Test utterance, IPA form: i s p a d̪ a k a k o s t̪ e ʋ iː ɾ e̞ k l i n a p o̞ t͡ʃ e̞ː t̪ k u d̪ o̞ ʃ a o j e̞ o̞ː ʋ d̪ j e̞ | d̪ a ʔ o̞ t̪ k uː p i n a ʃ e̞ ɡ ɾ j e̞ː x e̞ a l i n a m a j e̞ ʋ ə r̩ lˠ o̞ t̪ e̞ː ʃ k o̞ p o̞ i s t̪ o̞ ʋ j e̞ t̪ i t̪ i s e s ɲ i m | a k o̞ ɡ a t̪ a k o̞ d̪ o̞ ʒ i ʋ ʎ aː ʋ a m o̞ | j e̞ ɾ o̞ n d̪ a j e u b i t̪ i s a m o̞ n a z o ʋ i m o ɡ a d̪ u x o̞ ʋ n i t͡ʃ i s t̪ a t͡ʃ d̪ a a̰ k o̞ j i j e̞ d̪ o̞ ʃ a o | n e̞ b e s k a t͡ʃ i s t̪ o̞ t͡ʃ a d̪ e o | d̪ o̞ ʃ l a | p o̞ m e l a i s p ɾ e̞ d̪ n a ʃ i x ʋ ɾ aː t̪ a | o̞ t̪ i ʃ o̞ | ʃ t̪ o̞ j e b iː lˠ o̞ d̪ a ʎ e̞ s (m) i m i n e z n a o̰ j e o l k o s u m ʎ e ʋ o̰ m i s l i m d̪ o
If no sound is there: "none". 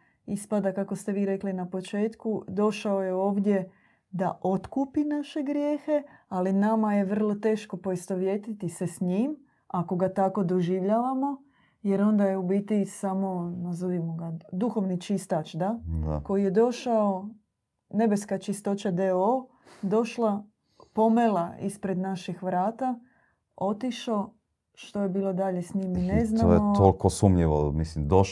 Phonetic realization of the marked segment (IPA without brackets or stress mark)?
ɲ